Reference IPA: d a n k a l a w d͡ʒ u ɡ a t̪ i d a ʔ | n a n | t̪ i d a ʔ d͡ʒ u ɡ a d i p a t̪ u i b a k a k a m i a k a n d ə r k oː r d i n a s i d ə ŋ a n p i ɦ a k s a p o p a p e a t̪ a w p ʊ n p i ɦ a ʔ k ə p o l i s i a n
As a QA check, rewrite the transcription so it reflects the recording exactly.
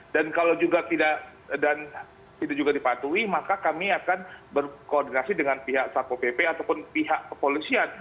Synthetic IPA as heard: d a n k a l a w d͡ʒ u ɡ a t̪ i d a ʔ | d a n | t̪ i d a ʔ d͡ʒ u ɡ a d i p a t̪ u i m a k a k a m i a k a n b ə r k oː r d i n a s i d ə ŋ a n p i ɦ a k s a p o p e p e a t̪ a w p ʊ n p i ɦ a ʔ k ə p o l i s i a n